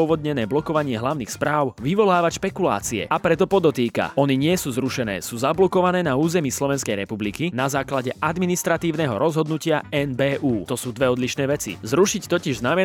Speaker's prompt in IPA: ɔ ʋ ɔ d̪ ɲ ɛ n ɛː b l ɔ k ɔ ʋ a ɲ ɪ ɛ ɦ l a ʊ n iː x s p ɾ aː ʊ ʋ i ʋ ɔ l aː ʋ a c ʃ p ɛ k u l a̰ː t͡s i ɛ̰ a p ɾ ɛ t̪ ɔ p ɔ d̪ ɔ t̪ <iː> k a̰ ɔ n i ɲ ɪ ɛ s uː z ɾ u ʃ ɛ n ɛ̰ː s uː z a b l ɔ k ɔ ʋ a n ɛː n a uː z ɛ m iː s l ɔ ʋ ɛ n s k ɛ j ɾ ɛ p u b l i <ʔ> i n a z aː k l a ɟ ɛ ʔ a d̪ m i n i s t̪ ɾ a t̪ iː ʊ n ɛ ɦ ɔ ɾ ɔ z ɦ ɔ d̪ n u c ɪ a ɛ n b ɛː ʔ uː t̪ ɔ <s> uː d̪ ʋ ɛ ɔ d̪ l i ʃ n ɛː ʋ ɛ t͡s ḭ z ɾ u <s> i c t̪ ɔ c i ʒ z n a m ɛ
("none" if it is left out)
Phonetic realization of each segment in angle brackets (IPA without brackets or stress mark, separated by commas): iː, k, s, ʃ